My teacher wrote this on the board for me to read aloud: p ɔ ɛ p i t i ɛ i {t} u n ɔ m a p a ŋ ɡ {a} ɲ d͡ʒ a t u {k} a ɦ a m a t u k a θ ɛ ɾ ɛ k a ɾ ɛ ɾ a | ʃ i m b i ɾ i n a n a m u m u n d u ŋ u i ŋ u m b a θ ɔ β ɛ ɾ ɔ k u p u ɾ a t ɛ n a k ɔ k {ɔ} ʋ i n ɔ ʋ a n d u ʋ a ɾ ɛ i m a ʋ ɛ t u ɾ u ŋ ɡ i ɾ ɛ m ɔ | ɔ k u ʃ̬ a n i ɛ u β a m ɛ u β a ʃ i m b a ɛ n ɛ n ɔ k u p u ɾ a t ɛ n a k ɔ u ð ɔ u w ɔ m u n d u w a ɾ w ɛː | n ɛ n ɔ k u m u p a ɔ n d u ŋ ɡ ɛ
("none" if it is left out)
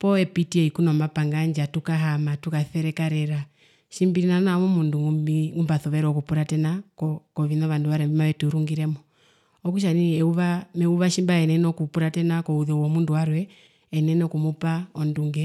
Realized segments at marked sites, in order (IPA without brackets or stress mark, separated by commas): k, a, k, ɔ